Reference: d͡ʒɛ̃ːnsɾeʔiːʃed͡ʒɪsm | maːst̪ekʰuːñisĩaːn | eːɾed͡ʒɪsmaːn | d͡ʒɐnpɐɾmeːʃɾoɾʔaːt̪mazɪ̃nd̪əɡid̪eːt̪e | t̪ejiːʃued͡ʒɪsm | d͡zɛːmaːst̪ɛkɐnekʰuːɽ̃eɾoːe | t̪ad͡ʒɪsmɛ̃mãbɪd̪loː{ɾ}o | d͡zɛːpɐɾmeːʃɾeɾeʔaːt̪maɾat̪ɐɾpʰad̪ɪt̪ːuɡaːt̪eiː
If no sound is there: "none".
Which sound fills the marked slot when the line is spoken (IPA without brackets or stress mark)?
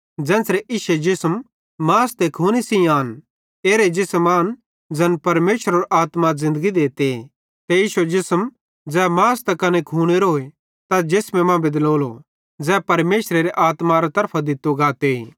l